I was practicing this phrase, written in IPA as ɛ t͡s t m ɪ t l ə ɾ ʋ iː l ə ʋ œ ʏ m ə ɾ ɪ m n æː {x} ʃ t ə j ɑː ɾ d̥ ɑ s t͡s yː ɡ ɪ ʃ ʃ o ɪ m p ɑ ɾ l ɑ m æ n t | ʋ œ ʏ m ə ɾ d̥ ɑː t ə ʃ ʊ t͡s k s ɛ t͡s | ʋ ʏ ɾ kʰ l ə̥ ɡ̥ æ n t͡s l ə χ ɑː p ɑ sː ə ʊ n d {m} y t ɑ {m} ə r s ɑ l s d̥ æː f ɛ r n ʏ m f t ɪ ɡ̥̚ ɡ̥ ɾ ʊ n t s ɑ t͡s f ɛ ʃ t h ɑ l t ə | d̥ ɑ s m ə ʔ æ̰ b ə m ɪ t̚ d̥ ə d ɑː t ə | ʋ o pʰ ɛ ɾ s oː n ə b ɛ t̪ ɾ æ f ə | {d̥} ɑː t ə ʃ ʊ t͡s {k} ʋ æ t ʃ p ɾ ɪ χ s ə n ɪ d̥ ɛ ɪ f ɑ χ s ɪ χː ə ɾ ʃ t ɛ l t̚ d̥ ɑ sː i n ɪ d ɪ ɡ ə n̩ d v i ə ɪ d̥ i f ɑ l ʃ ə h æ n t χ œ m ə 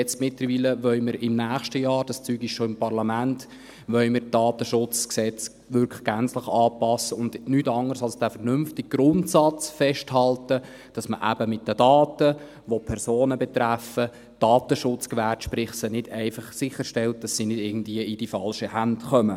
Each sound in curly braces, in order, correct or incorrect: incorrect: χ, incorrect: n, incorrect: ŋ, correct, correct

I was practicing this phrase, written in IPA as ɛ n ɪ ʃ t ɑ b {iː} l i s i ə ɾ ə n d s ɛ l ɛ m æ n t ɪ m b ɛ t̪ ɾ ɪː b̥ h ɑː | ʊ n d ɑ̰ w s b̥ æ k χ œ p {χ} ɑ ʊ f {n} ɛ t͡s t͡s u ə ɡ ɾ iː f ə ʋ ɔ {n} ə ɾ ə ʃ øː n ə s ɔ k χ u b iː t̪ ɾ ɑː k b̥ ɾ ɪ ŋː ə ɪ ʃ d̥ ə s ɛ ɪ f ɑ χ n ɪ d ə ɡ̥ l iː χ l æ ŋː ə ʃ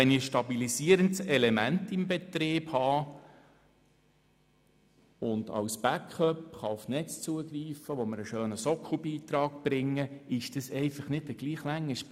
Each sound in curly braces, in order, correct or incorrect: incorrect: i, correct, correct, incorrect: m

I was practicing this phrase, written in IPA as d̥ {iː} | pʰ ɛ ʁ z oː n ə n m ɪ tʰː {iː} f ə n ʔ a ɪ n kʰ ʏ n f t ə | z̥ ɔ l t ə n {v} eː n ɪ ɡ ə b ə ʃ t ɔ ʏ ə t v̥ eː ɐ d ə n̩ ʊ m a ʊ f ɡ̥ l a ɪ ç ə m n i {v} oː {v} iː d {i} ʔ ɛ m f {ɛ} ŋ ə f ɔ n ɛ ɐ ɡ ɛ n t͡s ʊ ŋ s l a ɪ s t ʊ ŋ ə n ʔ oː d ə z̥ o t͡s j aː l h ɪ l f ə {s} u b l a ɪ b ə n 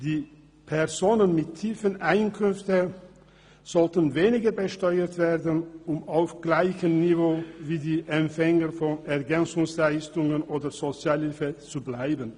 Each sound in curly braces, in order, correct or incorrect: correct, correct, correct, correct, correct, incorrect: iː, correct, incorrect: t͡s

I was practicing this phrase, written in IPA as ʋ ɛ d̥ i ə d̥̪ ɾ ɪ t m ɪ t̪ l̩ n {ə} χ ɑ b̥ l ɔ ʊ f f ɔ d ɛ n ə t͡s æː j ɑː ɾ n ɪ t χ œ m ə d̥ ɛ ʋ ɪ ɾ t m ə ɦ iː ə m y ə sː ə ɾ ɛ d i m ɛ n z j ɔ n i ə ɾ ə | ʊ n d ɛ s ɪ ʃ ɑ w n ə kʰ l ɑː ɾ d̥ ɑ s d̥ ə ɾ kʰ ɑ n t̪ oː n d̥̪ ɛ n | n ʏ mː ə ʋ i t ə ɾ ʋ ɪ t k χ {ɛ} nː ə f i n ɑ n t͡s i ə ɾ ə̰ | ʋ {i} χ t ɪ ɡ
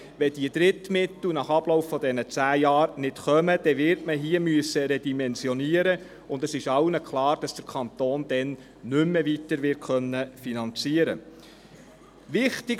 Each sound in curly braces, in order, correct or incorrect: incorrect: ɑ, incorrect: œ, incorrect: ɪ

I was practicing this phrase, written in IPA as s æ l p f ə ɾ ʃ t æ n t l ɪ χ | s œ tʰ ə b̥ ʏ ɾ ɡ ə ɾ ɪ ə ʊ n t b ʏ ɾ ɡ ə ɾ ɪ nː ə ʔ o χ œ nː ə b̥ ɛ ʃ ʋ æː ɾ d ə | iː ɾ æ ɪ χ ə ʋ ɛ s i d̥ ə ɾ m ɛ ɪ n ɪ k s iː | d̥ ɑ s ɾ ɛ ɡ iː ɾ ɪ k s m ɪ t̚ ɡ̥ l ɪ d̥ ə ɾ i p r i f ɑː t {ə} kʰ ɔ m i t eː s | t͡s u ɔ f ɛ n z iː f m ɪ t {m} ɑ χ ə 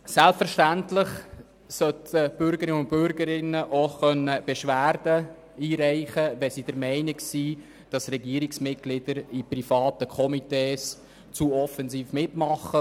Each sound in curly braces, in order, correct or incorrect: correct, correct

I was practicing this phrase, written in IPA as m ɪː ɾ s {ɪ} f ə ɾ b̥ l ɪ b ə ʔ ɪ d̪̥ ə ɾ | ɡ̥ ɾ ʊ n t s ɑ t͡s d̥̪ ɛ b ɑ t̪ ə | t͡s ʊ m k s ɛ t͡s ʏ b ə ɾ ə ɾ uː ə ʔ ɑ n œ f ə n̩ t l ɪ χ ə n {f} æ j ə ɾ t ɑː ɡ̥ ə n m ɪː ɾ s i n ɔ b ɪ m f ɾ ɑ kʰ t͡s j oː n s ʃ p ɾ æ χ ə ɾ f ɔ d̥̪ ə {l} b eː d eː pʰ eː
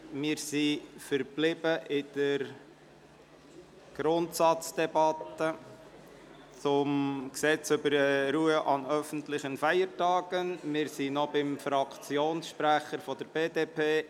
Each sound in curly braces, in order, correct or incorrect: incorrect: i, correct, incorrect: ɾ

